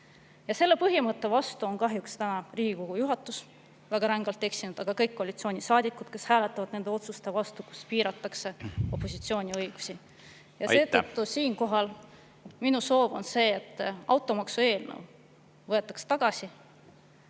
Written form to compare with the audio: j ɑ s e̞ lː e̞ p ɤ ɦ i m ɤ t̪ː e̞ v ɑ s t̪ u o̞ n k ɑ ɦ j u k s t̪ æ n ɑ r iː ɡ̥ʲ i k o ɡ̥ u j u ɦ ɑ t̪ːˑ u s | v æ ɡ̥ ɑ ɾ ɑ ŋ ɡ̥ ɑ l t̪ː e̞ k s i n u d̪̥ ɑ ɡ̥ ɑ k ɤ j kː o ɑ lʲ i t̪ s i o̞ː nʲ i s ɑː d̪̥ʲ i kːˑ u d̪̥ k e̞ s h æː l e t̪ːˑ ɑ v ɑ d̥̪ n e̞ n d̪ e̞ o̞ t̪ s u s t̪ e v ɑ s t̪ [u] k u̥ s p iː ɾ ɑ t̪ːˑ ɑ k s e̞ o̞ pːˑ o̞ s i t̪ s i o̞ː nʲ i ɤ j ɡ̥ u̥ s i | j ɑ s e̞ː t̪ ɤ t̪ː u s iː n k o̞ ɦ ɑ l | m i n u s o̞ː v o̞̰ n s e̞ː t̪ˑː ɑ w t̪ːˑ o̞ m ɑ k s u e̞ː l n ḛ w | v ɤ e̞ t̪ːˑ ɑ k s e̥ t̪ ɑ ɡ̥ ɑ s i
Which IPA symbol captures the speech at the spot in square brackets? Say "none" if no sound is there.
u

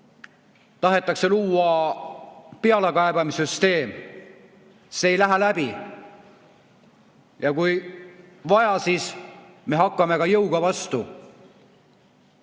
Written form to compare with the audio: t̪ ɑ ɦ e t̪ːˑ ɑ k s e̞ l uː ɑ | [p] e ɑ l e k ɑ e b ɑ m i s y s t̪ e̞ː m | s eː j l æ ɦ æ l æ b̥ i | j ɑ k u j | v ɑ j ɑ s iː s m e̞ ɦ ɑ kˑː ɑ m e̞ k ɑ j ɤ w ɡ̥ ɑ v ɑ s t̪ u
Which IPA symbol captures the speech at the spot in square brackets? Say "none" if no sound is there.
p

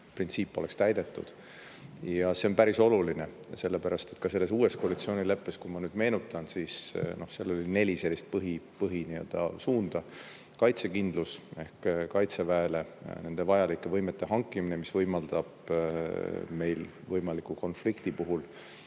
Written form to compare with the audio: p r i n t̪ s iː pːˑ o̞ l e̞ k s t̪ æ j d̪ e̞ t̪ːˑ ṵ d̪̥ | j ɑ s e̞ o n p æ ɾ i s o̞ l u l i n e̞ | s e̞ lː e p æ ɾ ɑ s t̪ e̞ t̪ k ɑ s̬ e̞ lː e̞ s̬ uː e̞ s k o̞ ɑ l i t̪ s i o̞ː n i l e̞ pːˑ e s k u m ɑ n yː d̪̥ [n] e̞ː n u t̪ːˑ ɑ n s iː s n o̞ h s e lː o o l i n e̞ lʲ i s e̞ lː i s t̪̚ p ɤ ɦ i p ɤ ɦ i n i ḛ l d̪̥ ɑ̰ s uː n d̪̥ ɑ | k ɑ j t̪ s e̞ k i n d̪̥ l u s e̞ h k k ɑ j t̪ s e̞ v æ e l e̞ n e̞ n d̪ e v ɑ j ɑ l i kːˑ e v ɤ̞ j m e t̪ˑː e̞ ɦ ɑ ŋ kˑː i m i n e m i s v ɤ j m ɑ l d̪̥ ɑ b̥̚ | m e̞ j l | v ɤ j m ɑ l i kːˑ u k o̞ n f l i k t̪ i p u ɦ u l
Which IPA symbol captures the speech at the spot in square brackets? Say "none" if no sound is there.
m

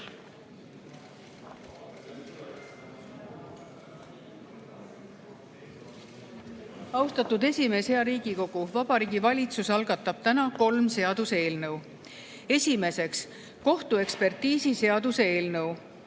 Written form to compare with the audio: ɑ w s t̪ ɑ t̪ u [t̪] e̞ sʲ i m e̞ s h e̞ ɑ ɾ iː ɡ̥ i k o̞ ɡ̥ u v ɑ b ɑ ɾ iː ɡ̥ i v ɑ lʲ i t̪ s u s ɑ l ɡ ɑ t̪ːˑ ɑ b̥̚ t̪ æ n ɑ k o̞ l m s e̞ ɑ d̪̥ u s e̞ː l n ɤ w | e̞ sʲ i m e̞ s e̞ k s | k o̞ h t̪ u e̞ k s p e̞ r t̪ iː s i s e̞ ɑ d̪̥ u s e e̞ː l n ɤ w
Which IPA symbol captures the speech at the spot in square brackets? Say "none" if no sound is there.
d̪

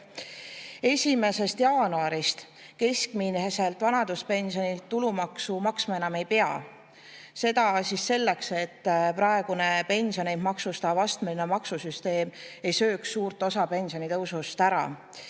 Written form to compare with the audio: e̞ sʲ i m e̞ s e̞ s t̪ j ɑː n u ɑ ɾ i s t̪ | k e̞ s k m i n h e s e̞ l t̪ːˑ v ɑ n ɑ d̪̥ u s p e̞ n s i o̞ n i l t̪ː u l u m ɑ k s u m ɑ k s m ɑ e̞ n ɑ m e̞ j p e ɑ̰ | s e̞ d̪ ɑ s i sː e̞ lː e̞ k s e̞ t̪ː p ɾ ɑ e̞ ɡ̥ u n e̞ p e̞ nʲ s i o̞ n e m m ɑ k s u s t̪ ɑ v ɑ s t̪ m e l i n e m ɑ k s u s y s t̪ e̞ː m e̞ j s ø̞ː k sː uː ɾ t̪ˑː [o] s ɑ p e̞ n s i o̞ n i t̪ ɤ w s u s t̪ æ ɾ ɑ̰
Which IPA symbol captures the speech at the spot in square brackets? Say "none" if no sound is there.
o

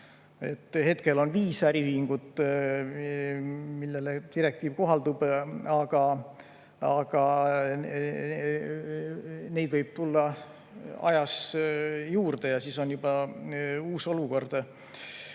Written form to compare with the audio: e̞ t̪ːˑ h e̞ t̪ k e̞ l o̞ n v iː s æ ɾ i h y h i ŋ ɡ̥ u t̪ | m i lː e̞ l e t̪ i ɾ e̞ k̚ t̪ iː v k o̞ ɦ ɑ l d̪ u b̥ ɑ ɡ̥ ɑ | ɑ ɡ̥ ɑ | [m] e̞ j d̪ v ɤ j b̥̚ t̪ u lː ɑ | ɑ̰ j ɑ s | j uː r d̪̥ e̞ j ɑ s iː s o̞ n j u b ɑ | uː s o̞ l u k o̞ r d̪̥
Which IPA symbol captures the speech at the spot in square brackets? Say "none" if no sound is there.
n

